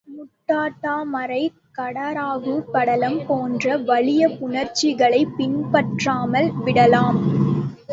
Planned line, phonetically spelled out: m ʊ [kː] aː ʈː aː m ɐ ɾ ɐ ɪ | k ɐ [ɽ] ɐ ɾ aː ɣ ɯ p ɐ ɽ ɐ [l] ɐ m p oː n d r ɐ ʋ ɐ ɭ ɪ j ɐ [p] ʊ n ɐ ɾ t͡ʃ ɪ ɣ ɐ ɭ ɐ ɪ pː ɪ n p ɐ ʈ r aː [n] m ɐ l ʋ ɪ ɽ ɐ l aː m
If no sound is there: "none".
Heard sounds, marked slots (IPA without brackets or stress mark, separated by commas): ʈː, ɽ, l, p, none